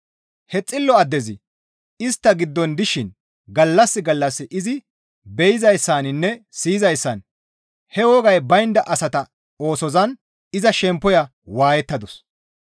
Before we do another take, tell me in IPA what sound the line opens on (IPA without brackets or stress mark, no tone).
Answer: h